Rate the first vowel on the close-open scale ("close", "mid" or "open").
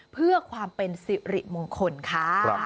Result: close